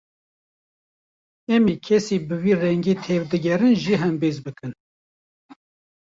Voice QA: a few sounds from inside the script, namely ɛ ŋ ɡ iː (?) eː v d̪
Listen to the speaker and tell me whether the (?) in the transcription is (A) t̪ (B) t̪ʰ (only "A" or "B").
B